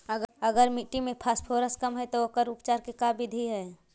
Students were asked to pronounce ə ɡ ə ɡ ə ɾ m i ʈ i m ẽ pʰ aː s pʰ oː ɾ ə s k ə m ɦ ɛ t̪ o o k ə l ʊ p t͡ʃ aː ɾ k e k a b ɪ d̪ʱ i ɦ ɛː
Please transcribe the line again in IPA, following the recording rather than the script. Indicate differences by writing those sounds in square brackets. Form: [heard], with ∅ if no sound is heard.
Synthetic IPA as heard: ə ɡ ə ɡ ə ɾ m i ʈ i m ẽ pʰ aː s pʰ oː ɾ ə s k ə m ɦ ɛ t̪ o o k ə [ɾ] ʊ p t͡ʃ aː ɾ k e k a b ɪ d̪ʱ i ɦ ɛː